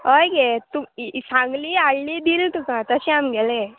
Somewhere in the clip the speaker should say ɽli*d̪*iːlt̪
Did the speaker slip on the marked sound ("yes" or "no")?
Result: no